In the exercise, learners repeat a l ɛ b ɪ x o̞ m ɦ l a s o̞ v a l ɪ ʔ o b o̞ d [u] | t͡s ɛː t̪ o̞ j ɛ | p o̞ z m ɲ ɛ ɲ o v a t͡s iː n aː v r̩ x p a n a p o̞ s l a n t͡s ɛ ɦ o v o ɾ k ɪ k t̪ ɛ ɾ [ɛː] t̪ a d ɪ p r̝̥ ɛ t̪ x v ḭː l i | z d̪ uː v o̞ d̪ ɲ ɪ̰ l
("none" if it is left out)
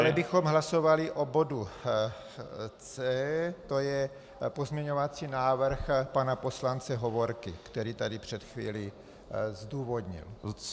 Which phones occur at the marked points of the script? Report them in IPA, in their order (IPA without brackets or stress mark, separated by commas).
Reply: u, iː